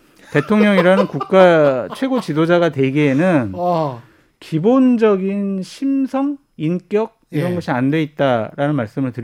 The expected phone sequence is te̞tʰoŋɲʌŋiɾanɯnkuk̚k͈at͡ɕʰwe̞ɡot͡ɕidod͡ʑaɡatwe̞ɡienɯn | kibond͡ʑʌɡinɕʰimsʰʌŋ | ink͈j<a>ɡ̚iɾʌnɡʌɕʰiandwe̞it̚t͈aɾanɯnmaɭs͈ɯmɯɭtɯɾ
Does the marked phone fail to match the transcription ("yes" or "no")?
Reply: yes